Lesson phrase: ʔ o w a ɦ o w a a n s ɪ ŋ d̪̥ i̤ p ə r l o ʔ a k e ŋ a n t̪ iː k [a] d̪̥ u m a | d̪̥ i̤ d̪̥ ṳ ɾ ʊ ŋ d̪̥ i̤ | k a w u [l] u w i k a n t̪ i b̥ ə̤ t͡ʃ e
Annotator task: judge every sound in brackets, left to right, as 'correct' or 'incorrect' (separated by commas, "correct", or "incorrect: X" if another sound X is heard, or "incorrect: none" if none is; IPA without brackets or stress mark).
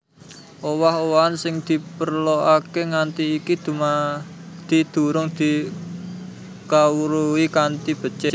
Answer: incorrect: i, incorrect: ɾ